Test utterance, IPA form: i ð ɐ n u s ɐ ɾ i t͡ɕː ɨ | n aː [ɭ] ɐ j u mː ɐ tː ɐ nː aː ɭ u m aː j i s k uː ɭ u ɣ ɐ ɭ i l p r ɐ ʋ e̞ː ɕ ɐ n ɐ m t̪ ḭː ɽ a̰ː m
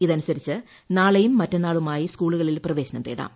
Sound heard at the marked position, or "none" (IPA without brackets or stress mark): ɭ